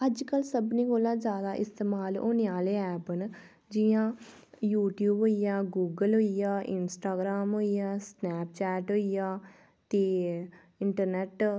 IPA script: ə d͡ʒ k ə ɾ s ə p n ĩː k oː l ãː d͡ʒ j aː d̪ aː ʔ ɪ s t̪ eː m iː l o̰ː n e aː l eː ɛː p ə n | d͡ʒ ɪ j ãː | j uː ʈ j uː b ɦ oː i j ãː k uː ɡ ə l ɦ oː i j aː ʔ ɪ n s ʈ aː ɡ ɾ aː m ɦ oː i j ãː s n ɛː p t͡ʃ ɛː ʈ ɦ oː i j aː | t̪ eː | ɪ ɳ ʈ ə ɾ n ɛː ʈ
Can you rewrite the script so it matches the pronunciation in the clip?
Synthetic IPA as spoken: ə d͡ʒ k ə l s ə b n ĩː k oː l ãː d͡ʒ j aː d̪ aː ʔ ɪ s t̪ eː m aː l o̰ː n e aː l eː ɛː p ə n | d͡ʒ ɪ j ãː | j uː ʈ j uː b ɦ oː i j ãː ɡ uː ɡ ə l ɦ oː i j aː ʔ ɪ n s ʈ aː ɡ ɾ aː m ɦ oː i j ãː s n ɛː p t͡ʃ ɛː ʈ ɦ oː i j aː | t̪ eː | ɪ ɳ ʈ ə ɾ n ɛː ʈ